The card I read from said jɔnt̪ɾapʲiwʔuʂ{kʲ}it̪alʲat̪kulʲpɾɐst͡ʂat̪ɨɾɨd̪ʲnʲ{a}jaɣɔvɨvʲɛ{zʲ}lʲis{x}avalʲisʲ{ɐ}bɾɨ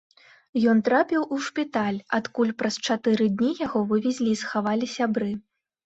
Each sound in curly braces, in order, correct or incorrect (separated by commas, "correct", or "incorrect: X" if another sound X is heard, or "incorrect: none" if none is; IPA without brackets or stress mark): incorrect: pʲ, incorrect: i, correct, correct, incorrect: a